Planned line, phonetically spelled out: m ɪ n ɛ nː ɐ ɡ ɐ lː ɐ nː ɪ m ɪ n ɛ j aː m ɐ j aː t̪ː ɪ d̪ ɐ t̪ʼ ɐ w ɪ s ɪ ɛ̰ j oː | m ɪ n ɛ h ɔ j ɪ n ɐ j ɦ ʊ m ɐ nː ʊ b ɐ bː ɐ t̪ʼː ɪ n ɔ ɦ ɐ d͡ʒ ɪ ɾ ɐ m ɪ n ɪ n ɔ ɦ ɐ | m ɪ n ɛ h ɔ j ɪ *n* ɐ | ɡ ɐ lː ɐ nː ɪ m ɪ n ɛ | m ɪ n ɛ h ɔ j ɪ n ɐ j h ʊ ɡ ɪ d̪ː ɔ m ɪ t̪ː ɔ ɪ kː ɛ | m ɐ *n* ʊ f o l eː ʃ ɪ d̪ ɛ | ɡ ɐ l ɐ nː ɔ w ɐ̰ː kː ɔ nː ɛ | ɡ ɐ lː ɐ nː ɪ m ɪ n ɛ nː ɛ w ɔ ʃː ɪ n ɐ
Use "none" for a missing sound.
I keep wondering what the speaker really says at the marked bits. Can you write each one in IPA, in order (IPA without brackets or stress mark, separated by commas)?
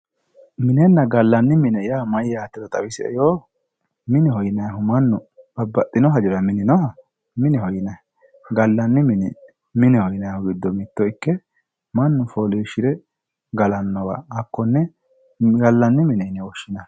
n, nː